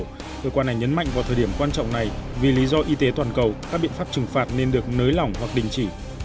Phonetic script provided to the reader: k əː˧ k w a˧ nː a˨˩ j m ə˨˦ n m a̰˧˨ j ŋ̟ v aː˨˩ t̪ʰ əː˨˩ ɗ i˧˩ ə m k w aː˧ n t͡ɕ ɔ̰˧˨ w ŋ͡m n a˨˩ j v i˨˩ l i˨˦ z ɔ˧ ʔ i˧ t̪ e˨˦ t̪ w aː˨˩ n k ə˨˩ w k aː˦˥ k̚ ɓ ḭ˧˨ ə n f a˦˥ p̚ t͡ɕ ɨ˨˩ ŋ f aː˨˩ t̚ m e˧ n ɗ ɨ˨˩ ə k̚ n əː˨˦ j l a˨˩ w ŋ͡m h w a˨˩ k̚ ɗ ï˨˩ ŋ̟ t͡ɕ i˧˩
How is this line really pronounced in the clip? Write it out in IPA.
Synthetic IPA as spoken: k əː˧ k w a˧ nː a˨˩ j ɲ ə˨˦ n m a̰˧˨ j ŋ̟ v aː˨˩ t̪ʰ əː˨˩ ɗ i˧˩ ə m k w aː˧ n t͡ɕ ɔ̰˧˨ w ŋ͡m n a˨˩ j v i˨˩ l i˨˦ z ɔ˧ ʔ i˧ t̪ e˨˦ t̪ w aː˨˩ n k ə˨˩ w k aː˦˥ k̚ ɓ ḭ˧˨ ə n f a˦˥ p̚ t͡ɕ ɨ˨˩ ŋ f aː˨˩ t̚ n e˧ n ɗ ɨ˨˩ ə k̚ n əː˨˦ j l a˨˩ w ŋ͡m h w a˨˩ k̚ ɗ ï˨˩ ŋ̟ t͡ɕ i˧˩

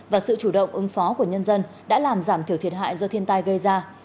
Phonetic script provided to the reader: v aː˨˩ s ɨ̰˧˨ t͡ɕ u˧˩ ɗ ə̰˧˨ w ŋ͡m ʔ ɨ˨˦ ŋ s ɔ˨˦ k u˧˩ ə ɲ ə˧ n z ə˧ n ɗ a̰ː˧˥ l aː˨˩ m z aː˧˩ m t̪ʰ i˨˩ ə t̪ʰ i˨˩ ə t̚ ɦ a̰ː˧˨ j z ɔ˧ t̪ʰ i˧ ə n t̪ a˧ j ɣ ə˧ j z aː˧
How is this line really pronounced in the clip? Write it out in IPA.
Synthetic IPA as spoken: v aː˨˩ s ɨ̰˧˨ t͡ɕ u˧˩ ɗ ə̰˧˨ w ŋ͡m ʔ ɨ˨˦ ŋ f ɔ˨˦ k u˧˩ ə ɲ ə˧ n z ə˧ n ɗ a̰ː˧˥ l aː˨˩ m z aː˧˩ m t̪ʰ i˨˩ ə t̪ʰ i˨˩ ə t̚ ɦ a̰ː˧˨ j z ɔ˧ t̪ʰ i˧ ə n t̪ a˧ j ɣ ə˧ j z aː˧

